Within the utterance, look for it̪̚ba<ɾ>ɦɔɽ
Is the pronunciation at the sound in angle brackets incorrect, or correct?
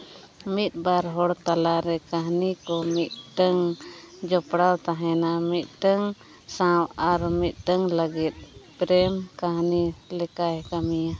correct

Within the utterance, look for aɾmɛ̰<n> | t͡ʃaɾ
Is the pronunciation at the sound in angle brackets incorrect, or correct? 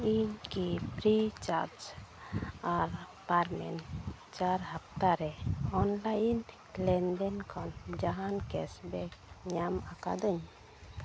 correct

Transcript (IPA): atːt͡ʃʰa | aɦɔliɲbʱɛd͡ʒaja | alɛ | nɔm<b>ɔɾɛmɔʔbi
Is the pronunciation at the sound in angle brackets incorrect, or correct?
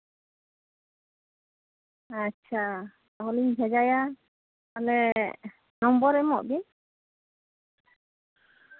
correct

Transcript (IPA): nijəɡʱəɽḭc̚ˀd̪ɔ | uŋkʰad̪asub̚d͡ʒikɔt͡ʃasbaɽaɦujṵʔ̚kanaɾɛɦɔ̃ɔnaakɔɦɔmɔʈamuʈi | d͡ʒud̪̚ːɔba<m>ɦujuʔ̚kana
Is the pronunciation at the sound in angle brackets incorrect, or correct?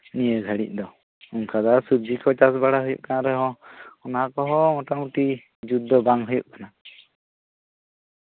incorrect: ŋ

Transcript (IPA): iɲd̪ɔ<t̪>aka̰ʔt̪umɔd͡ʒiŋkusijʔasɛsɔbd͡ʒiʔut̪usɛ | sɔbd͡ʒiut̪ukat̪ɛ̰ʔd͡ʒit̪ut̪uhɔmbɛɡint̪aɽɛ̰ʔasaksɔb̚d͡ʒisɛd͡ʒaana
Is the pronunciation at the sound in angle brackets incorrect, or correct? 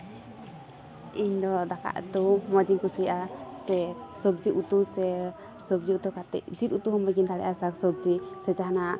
incorrect: d̪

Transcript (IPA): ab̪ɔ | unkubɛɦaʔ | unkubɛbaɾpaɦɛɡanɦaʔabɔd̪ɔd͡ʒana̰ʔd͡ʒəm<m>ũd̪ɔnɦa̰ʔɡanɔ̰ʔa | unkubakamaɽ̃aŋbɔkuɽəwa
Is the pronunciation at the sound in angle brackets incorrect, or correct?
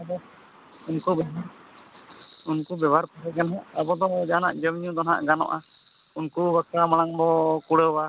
incorrect: ɲ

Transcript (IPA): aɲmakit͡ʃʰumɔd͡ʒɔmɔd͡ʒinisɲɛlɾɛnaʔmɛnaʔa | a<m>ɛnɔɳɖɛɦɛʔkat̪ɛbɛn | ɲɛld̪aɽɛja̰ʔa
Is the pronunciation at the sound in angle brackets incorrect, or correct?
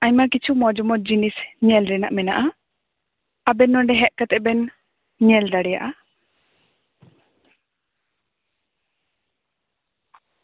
incorrect: b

